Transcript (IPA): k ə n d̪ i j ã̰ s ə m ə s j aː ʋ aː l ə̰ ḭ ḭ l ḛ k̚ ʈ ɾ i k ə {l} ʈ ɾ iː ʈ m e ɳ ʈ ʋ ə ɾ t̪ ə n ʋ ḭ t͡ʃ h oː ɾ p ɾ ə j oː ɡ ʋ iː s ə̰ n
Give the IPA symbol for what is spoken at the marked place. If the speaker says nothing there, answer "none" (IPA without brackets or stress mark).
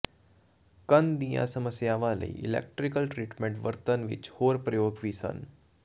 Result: l